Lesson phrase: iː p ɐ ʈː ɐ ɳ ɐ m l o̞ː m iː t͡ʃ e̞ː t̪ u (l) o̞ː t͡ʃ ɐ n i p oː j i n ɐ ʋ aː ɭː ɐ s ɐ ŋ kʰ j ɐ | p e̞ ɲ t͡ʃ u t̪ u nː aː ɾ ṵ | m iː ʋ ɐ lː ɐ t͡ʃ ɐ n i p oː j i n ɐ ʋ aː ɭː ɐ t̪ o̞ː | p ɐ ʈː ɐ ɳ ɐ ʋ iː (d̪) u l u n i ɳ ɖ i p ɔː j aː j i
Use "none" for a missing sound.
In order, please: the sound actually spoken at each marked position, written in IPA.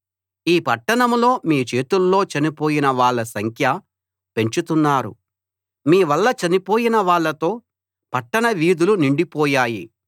lː, d̪

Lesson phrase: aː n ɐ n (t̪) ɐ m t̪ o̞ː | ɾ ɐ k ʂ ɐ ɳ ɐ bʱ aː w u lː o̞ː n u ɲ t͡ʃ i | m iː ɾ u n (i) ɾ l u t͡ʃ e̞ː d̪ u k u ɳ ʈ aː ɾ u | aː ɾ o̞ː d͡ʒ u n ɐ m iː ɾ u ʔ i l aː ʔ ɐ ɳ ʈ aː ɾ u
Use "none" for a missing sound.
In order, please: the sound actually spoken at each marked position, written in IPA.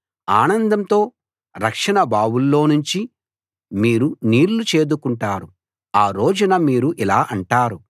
d̪, iː

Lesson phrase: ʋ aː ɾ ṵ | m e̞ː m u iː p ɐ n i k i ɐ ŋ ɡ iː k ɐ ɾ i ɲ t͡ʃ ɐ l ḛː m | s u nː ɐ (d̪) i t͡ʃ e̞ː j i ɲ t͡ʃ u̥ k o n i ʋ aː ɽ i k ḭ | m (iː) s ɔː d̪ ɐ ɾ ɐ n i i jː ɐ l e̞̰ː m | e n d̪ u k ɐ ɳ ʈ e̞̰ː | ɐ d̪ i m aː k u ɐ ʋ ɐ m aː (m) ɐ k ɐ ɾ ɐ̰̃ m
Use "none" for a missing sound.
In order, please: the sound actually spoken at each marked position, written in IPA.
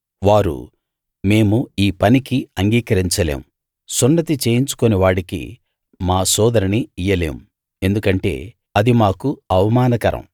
t̪, aː, n

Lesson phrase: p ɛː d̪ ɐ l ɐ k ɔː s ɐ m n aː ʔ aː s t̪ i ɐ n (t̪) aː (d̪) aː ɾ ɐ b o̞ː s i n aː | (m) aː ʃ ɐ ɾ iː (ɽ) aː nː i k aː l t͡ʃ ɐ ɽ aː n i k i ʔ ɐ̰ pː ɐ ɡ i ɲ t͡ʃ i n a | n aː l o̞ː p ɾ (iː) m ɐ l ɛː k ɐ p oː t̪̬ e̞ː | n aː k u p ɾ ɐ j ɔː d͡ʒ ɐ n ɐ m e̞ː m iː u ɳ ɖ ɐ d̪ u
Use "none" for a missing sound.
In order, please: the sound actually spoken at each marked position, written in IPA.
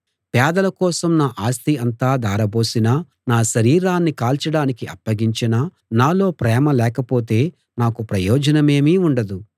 t̪, d̪, n, ɾ, ɛː

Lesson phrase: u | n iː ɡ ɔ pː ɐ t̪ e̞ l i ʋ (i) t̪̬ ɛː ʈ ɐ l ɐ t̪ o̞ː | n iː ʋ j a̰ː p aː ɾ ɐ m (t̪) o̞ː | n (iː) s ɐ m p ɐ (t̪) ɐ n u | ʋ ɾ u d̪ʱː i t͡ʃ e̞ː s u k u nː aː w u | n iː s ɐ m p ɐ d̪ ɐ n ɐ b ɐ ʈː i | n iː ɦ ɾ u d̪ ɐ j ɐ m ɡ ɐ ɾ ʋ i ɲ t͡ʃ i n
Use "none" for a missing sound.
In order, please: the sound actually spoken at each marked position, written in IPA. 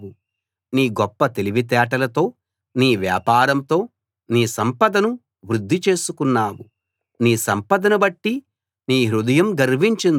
i, t̪, iː, d̪

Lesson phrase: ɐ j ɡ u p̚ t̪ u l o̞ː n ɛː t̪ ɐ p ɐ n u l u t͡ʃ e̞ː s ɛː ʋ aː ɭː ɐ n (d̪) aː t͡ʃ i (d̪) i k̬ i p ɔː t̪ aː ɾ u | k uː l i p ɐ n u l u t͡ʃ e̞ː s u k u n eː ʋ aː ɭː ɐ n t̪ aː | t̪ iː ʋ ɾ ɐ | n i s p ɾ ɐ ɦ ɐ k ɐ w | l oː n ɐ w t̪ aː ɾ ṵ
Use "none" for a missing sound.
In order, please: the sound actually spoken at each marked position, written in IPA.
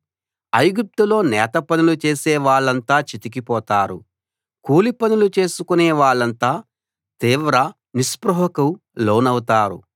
t̪, t̪

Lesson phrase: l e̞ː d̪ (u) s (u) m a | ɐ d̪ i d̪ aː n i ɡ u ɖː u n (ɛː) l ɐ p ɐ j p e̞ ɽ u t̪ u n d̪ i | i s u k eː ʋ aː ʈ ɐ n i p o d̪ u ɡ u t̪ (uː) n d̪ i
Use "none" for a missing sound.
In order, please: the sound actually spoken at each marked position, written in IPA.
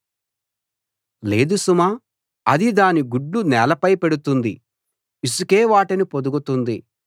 u, u, ɛː, u

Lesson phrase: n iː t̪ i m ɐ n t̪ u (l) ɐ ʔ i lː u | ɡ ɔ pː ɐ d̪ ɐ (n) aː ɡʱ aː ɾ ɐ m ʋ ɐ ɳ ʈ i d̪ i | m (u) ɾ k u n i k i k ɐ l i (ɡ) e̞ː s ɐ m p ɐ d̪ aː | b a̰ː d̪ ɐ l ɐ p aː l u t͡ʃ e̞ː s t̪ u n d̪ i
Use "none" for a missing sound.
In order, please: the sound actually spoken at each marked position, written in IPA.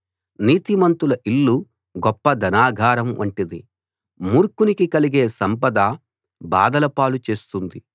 l, n, uː, ɡ

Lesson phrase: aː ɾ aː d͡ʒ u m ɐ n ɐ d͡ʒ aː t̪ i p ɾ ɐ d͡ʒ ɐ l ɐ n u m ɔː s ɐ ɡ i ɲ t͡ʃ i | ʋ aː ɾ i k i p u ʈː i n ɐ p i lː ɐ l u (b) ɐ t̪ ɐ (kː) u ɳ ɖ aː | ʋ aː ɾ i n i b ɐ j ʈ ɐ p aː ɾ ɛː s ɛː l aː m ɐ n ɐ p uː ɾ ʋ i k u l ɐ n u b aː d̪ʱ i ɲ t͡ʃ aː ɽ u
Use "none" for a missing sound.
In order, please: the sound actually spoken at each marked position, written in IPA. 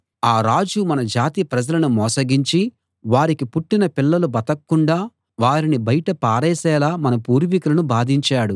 b, kː

